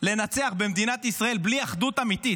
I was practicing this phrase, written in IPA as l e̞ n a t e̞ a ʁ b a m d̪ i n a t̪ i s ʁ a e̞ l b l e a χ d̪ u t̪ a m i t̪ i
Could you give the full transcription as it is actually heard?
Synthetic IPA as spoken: l e̞ n a t͡s e̞ a χ b e m d̪ i n a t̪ i s ʁ a e̞ l b l i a χ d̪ u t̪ a m i t̪ i